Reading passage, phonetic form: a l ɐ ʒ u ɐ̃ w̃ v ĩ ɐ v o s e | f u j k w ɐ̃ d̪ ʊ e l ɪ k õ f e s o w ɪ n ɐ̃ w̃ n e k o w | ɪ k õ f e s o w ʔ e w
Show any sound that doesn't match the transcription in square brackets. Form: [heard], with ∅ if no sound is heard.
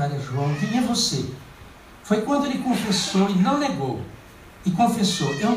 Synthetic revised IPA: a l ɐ ʒ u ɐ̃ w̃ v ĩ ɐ v o s e | f [o] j k w ɐ̃ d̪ ʊ e l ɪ k õ f e s o w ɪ n ɐ̃ w̃ n e [ɡ] o w | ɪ k õ f e s o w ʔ e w